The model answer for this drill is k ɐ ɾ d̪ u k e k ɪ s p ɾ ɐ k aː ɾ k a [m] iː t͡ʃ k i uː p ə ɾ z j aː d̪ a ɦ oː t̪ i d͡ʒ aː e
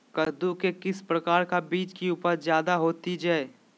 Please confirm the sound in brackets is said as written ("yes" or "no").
no